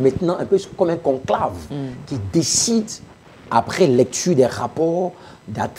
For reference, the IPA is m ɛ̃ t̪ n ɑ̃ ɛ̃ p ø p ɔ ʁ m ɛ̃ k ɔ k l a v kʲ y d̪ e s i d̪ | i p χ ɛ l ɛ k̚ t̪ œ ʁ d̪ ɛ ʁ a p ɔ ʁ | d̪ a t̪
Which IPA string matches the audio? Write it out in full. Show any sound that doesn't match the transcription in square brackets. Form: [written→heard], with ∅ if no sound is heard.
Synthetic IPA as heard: m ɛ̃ t̪ n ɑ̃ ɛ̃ p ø [p→k] ɔ [ʁ→∅] m ɛ̃ k [ɔ→ɔ̃] k l a v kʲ [y→i] d̪ e s i d̪ | [i→a] p χ ɛ l ɛ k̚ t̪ [œ→y] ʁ d̪ ɛ ʁ a p ɔ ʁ | d̪ a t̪